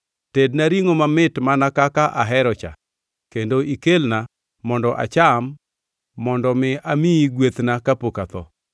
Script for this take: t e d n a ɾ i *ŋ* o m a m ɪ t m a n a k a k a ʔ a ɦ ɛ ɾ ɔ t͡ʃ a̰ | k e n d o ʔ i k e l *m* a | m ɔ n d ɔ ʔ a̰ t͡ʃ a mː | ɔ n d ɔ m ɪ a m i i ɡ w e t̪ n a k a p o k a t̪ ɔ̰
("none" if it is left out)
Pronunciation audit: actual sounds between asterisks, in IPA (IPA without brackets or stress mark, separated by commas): ŋ, n